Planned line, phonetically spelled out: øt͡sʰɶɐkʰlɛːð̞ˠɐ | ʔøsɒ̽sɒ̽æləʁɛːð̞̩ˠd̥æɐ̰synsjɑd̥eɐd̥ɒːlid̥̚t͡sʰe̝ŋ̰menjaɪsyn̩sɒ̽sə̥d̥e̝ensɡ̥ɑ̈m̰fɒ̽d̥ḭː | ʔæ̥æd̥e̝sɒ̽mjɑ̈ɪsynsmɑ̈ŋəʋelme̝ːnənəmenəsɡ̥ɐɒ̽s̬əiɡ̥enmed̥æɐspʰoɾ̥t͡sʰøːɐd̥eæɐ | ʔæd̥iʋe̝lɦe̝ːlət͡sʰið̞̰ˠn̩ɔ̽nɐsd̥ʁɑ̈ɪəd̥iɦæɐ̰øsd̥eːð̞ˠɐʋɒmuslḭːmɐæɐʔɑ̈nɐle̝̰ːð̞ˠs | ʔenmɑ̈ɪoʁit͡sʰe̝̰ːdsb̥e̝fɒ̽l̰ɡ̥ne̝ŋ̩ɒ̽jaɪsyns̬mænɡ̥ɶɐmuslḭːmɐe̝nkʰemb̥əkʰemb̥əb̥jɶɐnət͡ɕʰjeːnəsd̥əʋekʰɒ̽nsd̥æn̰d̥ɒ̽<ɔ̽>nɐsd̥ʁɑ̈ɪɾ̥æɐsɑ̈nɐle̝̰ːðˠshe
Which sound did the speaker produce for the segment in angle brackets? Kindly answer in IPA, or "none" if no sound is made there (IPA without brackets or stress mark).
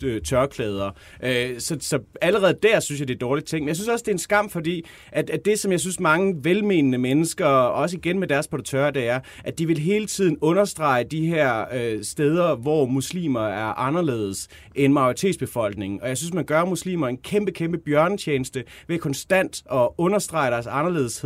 ɔ̽